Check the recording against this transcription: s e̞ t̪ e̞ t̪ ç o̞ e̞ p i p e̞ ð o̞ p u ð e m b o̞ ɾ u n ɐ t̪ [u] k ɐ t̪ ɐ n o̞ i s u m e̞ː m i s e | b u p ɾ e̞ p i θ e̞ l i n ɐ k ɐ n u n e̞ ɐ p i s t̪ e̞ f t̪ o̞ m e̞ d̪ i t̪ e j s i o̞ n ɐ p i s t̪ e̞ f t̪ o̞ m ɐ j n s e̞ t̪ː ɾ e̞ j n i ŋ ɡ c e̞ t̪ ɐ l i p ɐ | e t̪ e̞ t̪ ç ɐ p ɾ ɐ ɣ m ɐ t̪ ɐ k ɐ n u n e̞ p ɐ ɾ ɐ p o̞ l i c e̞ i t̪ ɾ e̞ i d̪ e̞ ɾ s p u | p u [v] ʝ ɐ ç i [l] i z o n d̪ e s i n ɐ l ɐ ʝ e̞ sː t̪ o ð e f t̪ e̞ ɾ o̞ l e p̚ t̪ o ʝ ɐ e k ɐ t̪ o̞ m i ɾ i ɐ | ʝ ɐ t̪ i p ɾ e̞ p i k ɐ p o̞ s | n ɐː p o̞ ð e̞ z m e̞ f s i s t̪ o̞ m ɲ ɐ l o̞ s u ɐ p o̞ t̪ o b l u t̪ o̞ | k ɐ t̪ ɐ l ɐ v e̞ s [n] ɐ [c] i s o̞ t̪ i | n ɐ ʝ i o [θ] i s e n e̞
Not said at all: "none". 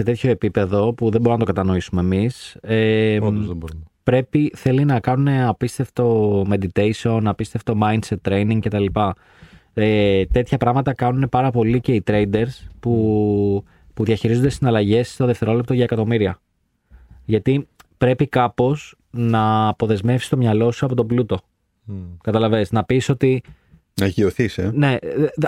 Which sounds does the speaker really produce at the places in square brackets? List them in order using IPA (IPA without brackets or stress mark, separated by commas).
o, ð, ɾ, n, p, θ